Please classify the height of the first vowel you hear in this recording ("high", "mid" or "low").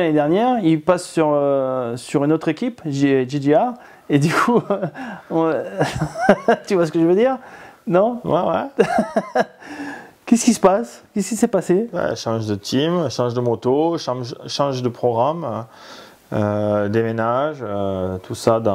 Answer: low